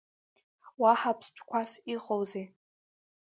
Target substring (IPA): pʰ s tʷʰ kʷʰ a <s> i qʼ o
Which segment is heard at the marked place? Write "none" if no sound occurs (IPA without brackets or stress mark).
s